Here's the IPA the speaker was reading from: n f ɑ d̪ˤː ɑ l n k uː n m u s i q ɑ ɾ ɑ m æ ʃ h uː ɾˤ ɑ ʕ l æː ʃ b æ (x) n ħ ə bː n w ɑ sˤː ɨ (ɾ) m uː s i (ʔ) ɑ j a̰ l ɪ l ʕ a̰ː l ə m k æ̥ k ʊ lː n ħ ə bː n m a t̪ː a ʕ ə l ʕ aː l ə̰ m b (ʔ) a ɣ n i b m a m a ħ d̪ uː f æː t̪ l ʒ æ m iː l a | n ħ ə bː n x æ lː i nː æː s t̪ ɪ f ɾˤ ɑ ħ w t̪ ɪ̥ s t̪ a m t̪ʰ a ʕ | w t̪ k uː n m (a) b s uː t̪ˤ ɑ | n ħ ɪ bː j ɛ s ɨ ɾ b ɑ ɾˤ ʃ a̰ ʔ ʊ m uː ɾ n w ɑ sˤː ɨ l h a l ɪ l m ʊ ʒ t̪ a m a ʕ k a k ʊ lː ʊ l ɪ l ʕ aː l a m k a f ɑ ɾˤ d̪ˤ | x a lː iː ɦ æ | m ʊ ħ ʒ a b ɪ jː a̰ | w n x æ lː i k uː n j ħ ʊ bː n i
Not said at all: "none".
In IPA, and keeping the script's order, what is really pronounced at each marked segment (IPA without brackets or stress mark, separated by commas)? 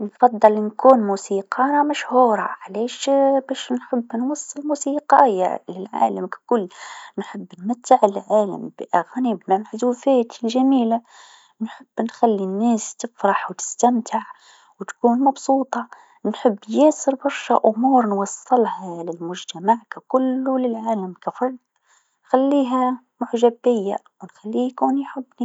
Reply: ʃ, l, q, ʔ, ɑ